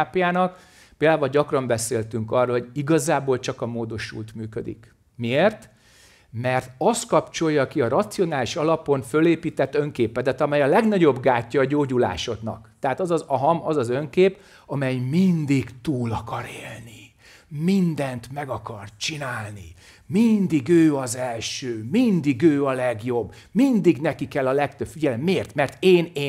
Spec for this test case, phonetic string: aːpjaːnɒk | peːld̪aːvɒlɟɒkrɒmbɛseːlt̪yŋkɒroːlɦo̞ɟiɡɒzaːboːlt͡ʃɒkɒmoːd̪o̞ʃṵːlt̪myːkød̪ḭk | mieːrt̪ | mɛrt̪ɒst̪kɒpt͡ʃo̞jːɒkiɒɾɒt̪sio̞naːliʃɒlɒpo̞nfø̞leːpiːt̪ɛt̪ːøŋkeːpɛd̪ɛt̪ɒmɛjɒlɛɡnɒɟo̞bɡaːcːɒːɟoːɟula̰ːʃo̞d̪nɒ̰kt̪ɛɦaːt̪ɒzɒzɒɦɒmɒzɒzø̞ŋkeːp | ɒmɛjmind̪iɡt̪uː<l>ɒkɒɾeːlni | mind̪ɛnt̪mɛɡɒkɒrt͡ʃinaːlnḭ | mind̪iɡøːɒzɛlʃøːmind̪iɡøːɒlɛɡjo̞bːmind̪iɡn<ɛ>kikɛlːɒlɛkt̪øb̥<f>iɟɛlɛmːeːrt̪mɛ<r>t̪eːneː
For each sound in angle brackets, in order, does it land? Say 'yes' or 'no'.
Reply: yes, yes, yes, yes

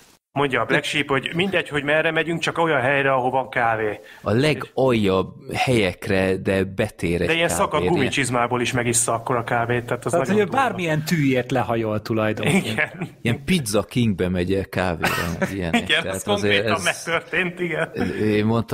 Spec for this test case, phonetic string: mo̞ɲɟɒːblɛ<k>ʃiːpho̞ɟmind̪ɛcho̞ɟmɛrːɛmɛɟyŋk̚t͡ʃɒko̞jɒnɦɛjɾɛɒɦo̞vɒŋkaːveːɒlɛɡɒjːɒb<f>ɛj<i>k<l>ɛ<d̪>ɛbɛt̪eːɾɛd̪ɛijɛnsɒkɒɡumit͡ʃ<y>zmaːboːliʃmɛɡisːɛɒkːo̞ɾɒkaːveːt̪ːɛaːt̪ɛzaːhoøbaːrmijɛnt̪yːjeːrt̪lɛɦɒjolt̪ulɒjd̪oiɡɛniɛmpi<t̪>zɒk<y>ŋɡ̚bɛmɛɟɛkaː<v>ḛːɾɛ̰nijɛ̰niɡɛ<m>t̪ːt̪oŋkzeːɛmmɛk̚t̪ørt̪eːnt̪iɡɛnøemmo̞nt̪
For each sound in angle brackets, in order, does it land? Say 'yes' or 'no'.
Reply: yes, no, no, no, yes, no, no, no, yes, no

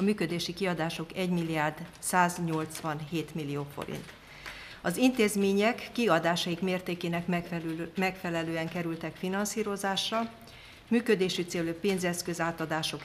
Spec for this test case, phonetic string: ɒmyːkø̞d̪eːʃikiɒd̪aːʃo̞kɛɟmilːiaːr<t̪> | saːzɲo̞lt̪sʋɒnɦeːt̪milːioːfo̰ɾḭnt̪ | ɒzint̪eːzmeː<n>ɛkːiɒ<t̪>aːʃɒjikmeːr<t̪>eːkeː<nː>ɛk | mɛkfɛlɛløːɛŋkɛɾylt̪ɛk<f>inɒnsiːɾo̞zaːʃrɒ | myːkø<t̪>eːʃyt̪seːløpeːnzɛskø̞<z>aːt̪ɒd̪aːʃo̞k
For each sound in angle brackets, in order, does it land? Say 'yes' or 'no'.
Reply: no, no, no, yes, no, yes, no, yes

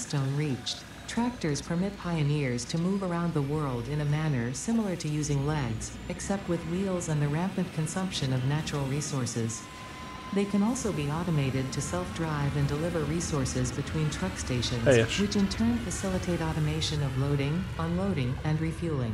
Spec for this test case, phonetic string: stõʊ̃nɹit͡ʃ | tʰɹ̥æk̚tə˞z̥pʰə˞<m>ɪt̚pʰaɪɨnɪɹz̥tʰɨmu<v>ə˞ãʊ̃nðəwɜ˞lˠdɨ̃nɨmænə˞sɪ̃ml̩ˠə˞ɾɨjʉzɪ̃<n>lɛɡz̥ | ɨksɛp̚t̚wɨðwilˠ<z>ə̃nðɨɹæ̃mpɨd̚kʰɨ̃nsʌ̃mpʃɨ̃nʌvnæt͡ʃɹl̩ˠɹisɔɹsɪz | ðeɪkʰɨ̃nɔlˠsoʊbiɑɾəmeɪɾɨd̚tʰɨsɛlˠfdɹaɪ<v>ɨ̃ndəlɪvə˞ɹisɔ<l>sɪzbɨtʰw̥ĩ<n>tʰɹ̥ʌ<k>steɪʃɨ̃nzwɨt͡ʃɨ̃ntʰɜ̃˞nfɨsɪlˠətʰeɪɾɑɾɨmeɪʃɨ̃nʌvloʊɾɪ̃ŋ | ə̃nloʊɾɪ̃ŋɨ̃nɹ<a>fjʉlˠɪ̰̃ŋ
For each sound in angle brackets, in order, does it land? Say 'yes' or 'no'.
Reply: yes, yes, no, yes, yes, no, yes, yes, no

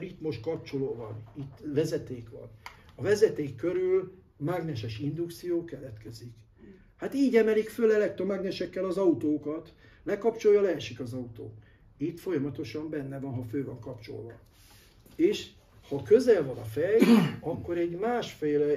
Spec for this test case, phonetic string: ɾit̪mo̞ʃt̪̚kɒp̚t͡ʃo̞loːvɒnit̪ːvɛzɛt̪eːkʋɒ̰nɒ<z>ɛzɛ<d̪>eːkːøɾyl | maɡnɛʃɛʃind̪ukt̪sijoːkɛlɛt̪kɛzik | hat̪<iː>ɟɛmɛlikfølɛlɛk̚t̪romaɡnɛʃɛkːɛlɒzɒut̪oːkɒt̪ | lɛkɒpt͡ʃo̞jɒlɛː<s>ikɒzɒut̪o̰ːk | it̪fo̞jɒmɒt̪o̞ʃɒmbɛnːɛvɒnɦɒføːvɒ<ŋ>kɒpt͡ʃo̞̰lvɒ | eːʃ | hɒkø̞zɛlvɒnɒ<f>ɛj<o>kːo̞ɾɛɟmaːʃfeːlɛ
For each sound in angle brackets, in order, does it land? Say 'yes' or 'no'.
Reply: no, no, yes, no, yes, yes, no

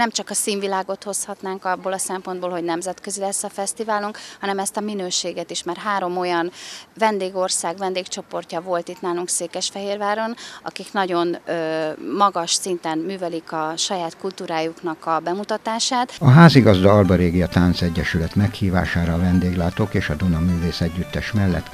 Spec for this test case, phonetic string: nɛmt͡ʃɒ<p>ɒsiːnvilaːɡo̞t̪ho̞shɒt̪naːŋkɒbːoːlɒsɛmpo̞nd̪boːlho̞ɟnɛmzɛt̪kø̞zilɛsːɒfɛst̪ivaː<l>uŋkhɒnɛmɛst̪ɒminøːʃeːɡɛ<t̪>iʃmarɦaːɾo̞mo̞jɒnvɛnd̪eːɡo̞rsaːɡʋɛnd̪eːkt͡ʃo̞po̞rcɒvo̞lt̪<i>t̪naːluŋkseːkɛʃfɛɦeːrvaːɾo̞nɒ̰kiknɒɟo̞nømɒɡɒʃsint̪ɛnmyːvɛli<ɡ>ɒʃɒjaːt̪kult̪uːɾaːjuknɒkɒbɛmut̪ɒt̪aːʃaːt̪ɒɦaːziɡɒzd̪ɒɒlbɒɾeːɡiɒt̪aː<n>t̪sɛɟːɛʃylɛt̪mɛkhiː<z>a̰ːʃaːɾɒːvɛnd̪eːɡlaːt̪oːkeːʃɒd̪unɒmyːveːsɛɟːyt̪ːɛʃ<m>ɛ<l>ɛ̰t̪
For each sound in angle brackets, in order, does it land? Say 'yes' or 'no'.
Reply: no, yes, yes, yes, no, yes, no, yes, no

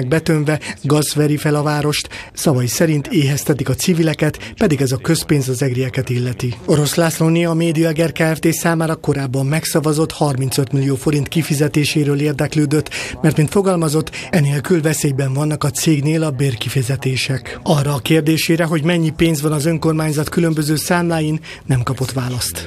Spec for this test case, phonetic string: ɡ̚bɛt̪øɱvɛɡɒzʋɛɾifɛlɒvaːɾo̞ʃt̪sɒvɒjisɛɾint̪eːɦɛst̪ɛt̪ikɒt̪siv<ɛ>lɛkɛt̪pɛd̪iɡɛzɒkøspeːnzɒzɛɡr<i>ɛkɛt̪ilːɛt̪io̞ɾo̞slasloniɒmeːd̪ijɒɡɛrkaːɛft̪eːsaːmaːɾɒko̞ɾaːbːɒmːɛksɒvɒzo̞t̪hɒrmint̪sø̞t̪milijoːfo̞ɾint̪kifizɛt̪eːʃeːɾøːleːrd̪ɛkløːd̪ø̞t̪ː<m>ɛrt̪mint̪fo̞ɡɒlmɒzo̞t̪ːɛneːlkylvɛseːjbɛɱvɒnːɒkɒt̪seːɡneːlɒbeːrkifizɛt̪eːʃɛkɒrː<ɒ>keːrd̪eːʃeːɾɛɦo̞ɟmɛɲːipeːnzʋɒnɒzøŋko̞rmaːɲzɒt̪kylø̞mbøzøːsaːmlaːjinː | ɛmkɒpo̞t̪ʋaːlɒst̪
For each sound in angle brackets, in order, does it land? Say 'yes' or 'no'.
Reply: no, yes, yes, no

